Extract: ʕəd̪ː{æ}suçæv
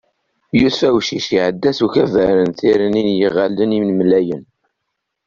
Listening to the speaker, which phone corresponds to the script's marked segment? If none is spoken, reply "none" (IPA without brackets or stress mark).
æ